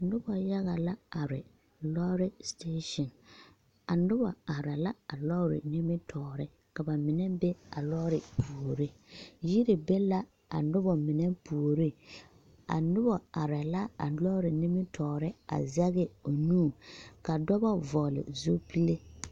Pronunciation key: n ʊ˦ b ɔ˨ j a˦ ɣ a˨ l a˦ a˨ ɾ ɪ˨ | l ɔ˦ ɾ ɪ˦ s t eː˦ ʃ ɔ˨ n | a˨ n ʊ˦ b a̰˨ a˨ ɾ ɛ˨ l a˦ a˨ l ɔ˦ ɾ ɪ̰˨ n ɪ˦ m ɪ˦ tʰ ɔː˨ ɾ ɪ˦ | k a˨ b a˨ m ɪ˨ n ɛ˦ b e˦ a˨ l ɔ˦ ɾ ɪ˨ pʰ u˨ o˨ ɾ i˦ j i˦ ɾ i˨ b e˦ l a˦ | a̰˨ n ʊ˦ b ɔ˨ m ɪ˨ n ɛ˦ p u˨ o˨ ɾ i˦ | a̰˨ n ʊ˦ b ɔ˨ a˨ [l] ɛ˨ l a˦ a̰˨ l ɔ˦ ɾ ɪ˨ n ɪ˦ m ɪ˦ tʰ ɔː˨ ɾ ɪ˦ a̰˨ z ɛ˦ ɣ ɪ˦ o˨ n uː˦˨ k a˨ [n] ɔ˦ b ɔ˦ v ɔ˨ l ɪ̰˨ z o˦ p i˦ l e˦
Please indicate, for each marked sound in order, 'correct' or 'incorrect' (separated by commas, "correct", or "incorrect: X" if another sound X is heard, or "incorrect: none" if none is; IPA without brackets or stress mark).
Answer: incorrect: ɾ, incorrect: d